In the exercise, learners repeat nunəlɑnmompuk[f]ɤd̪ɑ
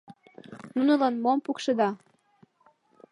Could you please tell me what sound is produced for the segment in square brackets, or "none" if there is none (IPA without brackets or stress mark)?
ʃ